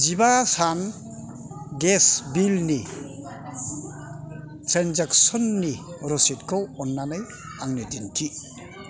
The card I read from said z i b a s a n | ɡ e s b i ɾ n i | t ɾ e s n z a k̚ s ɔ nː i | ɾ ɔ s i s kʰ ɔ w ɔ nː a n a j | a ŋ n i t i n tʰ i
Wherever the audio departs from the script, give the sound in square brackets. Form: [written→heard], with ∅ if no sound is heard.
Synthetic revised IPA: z i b a s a n | ɡ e s b i [ɾ→l] n i | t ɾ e [s→∅] n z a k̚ s ɔ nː i | ɾ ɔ s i [s→t] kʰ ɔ w ɔ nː a n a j | a ŋ n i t i n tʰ i